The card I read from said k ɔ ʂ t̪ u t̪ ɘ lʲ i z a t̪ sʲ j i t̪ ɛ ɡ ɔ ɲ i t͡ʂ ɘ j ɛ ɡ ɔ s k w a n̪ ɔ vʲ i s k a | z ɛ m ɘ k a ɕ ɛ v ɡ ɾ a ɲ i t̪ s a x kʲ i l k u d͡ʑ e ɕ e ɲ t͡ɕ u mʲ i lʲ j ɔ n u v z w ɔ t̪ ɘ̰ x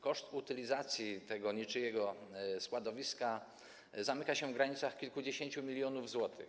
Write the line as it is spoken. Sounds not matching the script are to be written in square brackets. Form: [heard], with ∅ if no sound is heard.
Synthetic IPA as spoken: k ɔ ʂ t̪ u t̪ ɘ lʲ i z a t̪ sʲ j i t̪ ɛ ɡ ɔ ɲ i t͡ʂ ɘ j ɛ ɡ ɔ s k w a [d̪] ɔ vʲ i s k a | z [a] m ɘ k a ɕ ɛ v ɡ ɾ a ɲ i t̪ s a x kʲ i l k u d͡ʑ e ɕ e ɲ t͡ɕ u mʲ i lʲ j ɔ n u v z w ɔ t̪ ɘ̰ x